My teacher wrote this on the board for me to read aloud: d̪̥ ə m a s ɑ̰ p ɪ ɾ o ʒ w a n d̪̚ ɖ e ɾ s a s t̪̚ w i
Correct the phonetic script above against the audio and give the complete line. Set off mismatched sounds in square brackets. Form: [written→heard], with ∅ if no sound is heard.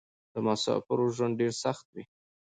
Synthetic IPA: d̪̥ ə m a s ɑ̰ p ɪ ɾ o ʒ w a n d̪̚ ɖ e ɾ s a [s→x] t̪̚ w i